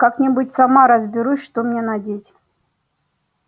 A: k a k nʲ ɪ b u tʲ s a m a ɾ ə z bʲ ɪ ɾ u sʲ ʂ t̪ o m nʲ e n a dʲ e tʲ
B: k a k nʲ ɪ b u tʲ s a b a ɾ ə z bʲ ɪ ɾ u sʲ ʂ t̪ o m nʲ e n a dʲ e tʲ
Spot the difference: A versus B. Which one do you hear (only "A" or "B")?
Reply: A